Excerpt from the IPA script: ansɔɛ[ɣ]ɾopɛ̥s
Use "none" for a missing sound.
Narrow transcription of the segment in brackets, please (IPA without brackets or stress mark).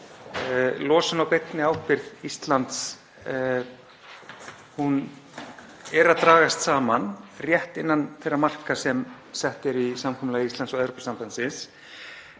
ð